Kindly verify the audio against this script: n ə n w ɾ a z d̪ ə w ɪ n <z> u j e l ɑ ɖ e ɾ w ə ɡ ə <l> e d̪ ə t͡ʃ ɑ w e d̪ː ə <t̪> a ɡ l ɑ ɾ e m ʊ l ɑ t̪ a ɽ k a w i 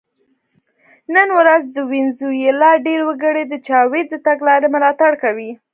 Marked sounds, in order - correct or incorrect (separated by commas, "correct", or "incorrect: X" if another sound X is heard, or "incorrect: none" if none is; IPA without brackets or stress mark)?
correct, incorrect: ɽ, correct